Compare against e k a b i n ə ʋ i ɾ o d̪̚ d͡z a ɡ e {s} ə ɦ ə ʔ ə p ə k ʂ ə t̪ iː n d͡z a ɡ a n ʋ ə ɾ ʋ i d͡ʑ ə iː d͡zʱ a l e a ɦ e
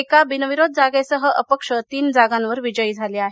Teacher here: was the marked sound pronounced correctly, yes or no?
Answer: yes